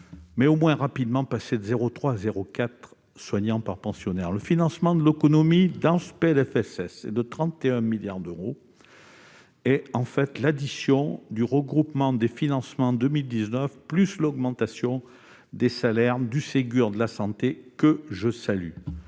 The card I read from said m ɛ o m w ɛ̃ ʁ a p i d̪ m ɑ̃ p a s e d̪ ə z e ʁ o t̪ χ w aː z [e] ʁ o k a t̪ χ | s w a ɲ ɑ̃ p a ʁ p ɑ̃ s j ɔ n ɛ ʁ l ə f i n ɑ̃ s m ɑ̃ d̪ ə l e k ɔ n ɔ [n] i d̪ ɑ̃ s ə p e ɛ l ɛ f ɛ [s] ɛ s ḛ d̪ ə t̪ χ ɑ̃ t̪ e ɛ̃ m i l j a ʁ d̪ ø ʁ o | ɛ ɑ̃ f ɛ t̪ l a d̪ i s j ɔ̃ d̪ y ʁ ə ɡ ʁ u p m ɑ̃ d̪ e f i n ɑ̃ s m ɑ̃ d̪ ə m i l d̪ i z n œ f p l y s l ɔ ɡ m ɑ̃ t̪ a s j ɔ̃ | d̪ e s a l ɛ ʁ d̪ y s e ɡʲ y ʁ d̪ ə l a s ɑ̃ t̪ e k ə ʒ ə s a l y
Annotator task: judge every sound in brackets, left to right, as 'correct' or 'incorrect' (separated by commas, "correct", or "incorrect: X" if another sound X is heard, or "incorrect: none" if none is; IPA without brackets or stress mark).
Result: correct, incorrect: m, correct